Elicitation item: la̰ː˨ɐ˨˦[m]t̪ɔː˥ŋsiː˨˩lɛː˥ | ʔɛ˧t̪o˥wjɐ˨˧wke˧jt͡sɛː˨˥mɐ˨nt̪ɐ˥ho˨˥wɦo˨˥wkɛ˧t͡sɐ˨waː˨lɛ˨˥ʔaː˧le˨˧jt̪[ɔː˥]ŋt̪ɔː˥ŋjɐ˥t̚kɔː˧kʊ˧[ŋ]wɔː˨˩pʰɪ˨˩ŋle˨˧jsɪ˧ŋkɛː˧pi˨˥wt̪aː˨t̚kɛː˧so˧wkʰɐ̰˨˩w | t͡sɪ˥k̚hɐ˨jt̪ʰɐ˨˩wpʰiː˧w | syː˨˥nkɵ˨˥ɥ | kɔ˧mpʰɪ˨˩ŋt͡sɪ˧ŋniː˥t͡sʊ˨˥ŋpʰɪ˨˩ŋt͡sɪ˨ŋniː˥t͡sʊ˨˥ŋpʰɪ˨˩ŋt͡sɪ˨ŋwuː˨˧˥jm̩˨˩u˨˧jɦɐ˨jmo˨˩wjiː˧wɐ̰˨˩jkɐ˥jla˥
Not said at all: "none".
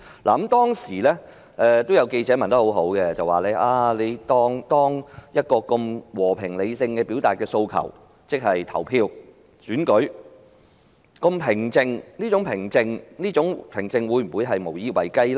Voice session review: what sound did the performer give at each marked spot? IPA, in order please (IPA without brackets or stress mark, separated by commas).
m, ɔː˥, m